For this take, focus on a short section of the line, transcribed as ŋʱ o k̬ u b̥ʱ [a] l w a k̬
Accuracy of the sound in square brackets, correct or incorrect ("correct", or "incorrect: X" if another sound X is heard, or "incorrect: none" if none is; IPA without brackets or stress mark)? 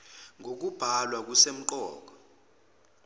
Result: correct